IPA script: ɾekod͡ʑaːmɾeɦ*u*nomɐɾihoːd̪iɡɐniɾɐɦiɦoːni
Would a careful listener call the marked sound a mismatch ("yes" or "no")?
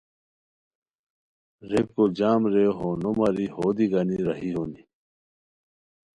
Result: yes